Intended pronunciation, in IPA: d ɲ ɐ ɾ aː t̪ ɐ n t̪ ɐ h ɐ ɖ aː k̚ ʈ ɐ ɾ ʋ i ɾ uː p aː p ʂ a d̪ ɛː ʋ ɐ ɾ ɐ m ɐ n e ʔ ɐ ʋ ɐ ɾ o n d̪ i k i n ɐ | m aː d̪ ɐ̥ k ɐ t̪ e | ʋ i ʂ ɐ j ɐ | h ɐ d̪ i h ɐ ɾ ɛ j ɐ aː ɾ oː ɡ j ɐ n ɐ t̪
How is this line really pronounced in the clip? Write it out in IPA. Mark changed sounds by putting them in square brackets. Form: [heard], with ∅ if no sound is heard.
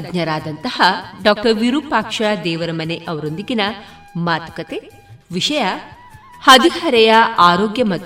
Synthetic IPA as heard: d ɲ ɐ ɾ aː [d̪] ɐ n t̪ ɐ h ɐ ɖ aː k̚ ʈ ɐ ɾ ʋ i ɾ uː p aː [k] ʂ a d̪ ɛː ʋ ɐ ɾ ɐ m ɐ n e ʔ ɐ ʋ ɐ ɾ o n d̪ i [ɡ] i n ɐ | m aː [t̪] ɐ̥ k ɐ t̪ e | ʋ i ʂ ɐ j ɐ | h ɐ d̪ i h ɐ ɾ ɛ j ɐ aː ɾ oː ɡ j ɐ [m] ɐ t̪